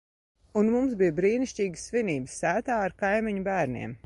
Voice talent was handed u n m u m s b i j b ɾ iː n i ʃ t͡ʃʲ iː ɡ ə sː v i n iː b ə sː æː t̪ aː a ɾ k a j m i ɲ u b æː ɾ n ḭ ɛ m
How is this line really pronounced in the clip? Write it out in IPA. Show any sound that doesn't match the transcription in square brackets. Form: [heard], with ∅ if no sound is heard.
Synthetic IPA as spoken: u n m u m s b i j b ɾ iː n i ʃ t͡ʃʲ iː ɡ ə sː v i n iː b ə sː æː t̪ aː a ɾ k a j m i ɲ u b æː ɾ n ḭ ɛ m